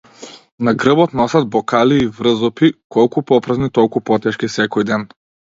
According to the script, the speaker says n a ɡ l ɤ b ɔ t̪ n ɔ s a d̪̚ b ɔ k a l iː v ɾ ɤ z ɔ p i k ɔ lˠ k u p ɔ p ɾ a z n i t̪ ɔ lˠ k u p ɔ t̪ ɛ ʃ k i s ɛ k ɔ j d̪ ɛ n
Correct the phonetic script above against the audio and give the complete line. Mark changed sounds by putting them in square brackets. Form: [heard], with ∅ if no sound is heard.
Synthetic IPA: n a ɡ [ɾ] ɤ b ɔ t̪ n ɔ s a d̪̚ b ɔ k a l iː v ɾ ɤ z ɔ p i k ɔ lˠ k u p ɔ p ɾ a z n i t̪ ɔ lˠ k u p ɔ t̪ ɛ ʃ k i s ɛ k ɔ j d̪ ɛ n